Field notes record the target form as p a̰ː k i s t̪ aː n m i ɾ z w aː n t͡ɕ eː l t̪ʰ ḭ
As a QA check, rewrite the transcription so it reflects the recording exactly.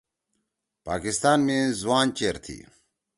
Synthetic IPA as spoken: p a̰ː k i s t̪ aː n m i z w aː n t͡ɕ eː ɾ t̪ʰ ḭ